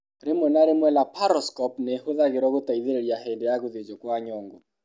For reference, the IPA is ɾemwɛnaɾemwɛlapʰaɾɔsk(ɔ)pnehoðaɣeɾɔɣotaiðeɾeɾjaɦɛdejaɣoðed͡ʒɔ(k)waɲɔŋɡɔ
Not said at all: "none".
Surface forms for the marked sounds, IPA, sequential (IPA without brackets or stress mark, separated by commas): ɔ, k